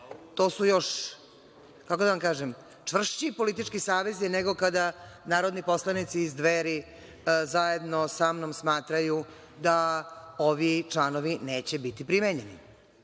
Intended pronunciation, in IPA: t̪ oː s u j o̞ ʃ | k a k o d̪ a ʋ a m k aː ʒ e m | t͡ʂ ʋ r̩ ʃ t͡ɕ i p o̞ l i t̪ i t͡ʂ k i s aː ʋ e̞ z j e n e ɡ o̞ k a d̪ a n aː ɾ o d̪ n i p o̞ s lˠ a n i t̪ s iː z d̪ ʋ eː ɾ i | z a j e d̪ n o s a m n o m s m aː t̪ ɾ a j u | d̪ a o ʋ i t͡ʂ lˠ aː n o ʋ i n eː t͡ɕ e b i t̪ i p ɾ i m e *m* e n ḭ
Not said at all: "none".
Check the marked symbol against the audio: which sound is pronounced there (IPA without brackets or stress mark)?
ɲ